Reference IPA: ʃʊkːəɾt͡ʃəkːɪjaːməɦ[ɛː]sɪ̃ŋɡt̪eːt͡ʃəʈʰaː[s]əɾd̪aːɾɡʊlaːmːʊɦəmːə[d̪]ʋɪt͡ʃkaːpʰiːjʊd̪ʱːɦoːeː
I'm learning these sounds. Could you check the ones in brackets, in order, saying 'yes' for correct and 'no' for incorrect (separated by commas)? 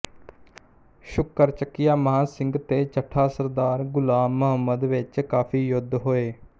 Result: no, yes, yes